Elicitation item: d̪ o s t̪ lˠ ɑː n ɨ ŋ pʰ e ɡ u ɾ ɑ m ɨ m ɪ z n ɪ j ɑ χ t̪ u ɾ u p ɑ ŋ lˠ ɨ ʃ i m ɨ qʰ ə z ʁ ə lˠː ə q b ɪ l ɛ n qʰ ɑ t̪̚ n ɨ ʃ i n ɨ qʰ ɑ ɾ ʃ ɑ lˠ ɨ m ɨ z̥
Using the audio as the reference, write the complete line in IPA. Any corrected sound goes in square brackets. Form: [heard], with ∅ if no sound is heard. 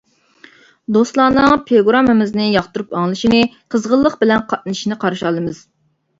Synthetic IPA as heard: d̪ o s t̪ lˠ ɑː n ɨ ŋ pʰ e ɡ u ɾ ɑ m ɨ m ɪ z n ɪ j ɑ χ t̪ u ɾ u p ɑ ŋ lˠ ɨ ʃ i [n] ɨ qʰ ə z ʁ ə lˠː ə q b ɪ l ɛ n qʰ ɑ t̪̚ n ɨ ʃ i n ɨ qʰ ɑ ɾ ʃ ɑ lˠ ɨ m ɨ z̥